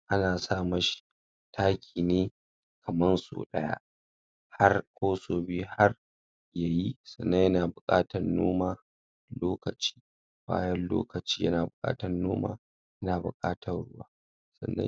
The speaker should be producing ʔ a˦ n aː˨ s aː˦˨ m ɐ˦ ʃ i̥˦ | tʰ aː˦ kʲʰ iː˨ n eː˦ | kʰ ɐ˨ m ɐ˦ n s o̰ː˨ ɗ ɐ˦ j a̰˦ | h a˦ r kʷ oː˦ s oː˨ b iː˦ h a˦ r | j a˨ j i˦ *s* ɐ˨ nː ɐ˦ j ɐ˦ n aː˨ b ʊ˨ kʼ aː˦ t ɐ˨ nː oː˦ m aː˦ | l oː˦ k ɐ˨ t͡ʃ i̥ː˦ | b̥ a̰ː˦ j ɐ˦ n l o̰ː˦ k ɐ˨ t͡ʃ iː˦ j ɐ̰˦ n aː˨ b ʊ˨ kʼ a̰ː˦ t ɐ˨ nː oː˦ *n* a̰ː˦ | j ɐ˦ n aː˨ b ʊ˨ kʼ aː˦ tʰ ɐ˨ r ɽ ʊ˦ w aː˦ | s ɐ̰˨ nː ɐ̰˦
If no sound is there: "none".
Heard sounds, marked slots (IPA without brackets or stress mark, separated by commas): s, m